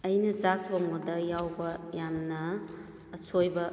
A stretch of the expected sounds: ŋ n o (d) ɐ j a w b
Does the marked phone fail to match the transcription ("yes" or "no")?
no